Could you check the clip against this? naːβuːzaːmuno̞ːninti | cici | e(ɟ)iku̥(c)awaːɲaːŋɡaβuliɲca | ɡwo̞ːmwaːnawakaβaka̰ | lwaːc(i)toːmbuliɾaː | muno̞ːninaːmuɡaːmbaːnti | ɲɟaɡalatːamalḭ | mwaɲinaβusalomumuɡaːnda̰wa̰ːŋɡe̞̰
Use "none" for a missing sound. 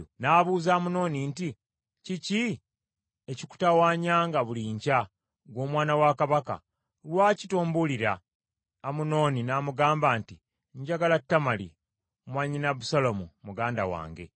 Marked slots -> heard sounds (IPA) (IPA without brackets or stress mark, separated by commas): c, t, i